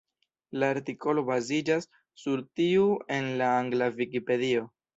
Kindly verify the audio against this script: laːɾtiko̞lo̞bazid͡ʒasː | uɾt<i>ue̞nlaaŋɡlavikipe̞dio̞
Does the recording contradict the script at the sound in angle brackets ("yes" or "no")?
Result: no